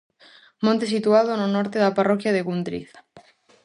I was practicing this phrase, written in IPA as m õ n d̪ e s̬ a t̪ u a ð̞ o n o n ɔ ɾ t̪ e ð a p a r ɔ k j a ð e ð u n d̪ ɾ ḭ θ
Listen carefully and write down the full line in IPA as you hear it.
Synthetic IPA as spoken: m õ n t̪ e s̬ i t̪ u a ð̞ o n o n ɔ ɾ t̪ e ð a p a r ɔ k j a ð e ɣ u n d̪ ɾ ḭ θ